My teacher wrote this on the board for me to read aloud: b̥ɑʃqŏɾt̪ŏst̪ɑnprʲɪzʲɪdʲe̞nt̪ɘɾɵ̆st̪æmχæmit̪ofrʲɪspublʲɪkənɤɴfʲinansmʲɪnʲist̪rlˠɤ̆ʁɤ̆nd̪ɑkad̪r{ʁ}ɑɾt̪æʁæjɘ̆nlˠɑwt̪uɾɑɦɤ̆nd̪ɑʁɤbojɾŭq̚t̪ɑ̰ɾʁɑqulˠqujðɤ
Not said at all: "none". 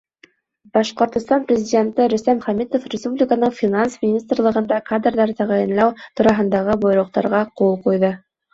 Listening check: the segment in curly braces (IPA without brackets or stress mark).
ð